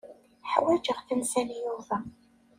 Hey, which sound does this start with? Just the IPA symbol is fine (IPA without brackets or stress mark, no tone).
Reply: ħ